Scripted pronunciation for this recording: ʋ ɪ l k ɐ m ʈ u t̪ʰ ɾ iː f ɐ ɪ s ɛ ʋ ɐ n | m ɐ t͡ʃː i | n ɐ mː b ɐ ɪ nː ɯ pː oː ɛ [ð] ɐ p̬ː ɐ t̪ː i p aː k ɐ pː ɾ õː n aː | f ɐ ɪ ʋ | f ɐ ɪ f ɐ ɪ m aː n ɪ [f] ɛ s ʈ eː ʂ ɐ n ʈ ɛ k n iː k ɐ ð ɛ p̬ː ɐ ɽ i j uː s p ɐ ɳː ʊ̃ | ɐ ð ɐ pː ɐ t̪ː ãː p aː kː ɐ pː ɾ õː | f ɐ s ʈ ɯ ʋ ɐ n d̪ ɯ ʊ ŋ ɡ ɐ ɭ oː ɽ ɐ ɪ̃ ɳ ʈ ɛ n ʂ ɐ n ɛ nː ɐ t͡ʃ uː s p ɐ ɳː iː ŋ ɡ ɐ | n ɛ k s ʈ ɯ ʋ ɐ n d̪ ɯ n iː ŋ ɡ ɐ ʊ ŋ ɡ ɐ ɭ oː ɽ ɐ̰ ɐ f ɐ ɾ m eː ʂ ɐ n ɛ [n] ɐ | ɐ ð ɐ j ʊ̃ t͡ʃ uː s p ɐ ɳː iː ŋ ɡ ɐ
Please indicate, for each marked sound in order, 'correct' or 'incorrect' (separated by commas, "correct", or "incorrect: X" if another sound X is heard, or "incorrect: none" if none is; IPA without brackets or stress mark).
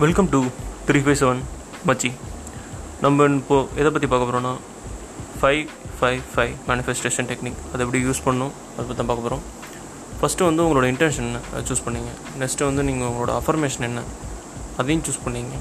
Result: correct, correct, incorrect: nː